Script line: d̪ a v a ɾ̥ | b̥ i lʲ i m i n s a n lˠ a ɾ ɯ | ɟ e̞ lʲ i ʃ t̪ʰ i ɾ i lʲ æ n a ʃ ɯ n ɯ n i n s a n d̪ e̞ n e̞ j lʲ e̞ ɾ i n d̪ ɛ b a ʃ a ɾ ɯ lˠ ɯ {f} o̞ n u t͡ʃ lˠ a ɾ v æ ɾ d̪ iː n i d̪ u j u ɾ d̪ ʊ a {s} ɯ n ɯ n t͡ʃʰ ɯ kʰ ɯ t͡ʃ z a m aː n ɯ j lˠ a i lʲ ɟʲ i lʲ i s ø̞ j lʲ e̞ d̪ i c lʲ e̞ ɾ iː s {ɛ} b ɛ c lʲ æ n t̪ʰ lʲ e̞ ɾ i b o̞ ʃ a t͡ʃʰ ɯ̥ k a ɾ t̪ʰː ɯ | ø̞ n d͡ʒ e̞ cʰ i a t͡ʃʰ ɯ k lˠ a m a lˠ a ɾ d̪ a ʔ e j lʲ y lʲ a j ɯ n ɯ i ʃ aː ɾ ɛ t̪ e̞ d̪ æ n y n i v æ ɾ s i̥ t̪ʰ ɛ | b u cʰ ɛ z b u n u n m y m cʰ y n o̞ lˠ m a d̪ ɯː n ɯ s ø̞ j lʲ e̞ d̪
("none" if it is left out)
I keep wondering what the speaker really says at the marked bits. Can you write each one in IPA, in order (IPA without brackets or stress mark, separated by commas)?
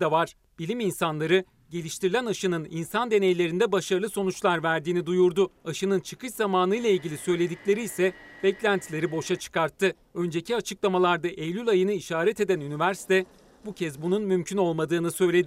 s, ʃ, ɛ